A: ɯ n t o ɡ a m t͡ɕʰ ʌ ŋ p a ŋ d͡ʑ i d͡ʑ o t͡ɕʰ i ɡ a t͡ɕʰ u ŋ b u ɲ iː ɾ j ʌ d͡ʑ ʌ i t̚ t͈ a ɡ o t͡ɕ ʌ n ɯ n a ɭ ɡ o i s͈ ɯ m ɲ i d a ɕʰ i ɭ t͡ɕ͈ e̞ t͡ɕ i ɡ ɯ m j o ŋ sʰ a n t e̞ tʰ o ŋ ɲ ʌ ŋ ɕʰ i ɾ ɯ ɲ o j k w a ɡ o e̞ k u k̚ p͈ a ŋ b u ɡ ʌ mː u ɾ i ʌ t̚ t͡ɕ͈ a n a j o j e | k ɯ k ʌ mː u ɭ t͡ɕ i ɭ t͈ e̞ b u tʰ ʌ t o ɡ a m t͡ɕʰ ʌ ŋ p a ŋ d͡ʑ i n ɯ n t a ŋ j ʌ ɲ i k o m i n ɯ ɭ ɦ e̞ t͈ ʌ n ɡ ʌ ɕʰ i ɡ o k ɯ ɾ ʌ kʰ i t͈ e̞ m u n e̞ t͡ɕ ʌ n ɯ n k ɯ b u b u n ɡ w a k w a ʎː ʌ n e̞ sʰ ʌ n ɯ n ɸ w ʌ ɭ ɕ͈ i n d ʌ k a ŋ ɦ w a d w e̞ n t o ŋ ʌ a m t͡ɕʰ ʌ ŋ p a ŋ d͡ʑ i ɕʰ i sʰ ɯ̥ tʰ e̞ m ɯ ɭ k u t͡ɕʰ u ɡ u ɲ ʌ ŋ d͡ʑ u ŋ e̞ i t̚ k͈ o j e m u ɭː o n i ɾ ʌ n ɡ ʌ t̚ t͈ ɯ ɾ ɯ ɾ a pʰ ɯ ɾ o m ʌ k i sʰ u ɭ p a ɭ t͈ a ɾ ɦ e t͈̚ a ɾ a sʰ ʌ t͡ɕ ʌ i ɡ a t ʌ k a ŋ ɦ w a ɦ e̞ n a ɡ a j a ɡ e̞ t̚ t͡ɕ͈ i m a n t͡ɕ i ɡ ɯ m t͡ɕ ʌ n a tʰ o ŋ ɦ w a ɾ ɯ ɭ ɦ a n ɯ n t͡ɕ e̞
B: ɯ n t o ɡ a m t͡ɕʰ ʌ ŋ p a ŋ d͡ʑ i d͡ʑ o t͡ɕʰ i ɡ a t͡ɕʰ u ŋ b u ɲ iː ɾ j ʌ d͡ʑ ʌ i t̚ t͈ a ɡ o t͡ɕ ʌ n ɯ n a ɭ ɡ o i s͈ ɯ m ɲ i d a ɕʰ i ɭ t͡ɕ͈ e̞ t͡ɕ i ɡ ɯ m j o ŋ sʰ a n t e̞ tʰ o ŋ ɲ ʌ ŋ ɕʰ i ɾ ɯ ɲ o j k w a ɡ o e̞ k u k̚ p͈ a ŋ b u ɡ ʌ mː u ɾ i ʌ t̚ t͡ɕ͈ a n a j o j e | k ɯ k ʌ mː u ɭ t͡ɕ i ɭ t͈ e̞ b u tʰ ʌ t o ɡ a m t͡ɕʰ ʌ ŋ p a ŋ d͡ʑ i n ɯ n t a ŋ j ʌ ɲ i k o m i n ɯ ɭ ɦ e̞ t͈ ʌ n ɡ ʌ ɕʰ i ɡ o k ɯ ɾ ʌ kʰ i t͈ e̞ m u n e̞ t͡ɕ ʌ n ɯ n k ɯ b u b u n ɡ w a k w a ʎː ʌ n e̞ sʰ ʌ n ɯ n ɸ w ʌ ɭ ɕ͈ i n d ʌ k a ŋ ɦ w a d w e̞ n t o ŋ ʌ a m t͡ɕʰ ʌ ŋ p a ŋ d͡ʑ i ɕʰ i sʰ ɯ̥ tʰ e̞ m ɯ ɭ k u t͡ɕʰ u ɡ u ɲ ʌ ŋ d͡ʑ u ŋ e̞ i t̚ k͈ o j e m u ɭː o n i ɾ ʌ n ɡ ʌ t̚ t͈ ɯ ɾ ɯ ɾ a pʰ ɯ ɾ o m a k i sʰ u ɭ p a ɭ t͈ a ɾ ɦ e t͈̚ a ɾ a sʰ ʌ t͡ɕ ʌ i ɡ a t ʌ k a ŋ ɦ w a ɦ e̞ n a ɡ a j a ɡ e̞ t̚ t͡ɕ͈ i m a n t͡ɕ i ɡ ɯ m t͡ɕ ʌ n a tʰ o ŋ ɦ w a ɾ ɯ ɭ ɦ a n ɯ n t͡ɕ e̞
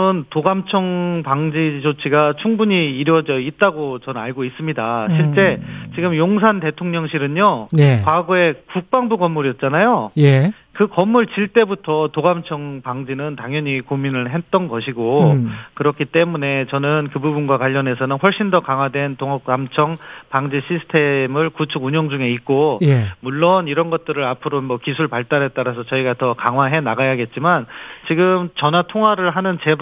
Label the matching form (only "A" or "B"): A